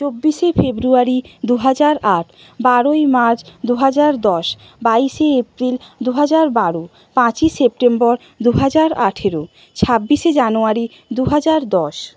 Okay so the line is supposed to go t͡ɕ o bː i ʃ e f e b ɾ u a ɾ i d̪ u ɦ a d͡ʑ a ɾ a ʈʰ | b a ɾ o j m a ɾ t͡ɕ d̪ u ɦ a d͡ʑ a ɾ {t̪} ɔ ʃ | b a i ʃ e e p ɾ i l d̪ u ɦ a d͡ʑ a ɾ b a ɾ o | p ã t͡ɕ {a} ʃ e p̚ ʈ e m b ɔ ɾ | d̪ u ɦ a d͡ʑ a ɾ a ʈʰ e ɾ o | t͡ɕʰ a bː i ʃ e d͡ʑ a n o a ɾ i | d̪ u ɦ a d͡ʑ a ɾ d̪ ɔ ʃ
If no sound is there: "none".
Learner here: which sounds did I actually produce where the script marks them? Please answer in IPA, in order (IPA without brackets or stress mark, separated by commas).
d̪, i